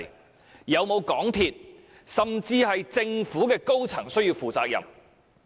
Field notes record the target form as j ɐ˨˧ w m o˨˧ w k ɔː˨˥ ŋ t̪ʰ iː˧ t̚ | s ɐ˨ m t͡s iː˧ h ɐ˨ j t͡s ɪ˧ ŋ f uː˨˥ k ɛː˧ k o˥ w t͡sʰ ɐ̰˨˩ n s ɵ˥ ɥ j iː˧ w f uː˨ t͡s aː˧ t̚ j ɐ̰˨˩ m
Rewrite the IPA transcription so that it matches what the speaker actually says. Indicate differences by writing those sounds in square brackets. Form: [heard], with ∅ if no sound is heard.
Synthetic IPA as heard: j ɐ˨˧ w m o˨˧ w k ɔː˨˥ ŋ t̪ʰ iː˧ t̚ | s ɐ˨ m t͡s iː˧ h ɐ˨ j t͡s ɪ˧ ŋ f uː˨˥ k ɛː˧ k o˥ w t͡sʰ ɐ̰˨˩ [ŋ] s ɵ˥ ɥ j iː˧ w f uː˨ t͡s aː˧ [k̚] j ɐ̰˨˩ m

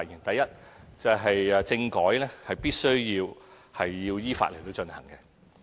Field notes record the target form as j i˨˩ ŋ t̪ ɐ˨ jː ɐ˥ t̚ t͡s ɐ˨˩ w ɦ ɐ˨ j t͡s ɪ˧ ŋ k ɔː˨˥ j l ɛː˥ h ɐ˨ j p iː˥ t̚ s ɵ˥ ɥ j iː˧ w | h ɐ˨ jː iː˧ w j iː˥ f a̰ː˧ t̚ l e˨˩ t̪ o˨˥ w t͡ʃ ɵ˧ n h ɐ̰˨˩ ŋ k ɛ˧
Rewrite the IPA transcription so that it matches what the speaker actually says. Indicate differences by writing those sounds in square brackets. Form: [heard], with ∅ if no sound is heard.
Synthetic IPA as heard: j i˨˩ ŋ t̪ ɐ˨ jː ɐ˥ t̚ t͡s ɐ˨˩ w ɦ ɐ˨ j t͡s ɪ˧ ŋ k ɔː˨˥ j l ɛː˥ h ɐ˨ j p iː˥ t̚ s ɵ˥ ɥ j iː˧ w | h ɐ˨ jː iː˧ w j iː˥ f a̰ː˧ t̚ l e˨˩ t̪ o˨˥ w t͡ʃ ɵ˧ n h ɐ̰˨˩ ŋ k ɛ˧

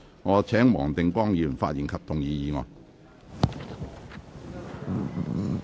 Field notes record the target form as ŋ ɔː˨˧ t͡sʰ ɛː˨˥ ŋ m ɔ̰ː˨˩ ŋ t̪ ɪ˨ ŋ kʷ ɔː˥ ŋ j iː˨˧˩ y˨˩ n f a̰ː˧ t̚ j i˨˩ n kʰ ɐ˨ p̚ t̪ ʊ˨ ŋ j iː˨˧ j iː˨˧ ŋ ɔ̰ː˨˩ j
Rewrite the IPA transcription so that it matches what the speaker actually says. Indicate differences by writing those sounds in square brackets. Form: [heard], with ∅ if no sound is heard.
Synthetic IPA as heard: ŋ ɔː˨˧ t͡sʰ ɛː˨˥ ŋ m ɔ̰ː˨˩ ŋ t̪ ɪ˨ ŋ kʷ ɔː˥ ŋ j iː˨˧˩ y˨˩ n f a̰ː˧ t̚ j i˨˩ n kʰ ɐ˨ p̚ t̪ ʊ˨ ŋ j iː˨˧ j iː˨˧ ŋ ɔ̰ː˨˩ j

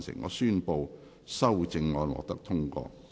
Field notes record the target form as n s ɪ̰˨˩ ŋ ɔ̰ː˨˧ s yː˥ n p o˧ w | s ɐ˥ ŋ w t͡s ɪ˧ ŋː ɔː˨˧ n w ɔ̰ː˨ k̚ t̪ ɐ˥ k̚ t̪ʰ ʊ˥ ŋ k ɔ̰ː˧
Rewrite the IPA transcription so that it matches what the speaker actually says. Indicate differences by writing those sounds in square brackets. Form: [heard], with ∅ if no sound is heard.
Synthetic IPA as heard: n s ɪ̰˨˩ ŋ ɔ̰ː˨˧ s yː˥ n p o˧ w | s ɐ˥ [∅] w t͡s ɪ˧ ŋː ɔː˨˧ n w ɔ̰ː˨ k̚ t̪ ɐ˥ k̚ t̪ʰ ʊ˥ ŋ k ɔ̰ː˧

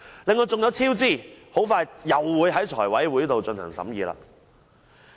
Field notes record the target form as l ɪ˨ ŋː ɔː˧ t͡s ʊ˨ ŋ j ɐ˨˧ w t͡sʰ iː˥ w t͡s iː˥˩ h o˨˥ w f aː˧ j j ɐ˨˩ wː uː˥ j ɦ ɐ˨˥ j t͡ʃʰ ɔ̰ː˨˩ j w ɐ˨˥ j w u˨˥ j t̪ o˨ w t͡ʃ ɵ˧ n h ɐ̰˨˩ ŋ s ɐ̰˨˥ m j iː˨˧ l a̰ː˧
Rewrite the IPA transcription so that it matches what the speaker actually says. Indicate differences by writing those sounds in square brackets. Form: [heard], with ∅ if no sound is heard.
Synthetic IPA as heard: l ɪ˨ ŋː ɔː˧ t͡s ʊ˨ ŋ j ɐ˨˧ w t͡sʰ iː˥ w t͡s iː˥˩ h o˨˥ w f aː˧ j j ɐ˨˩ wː [uː˨˧˥] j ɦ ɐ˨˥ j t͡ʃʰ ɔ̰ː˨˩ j w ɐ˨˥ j w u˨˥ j t̪ o˨ w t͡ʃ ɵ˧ n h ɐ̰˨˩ ŋ s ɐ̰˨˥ m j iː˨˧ l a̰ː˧

